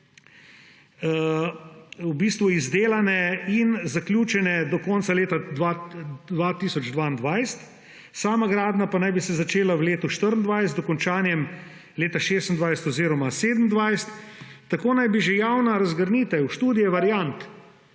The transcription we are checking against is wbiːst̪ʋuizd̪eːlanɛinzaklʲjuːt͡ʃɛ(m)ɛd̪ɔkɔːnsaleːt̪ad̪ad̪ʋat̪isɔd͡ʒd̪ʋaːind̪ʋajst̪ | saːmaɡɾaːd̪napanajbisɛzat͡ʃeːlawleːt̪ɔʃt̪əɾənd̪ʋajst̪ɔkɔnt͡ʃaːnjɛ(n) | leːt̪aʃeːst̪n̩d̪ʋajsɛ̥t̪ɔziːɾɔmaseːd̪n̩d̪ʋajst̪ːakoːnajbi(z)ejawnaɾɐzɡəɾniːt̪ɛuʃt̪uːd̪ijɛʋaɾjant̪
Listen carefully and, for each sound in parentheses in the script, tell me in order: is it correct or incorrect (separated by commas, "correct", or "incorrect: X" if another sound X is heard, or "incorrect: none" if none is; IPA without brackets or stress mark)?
incorrect: n, incorrect: m, incorrect: ʒ